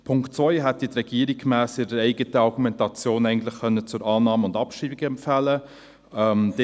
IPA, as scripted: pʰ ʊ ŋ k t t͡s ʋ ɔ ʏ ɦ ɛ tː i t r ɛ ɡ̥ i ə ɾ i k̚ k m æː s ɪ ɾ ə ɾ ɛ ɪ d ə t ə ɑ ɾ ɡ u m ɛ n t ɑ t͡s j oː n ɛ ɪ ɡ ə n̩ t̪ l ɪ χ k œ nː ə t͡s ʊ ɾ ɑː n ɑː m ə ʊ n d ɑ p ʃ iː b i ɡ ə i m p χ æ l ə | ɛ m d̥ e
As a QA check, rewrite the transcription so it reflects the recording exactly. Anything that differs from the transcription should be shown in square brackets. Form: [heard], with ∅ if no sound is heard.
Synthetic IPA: pʰ ʊ ŋ k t t͡s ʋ ɔ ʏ ɦ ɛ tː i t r ɛ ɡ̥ i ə ɾ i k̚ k m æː s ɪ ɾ ə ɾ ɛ ɪ [ɡ] ə t ə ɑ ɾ ɡ u m ɛ n t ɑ t͡s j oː n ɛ ɪ ɡ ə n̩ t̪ l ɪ χ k œ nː ə t͡s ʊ ɾ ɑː n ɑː m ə ʊ n d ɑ p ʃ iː b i ɡ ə [ɛ] m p [f] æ l ə | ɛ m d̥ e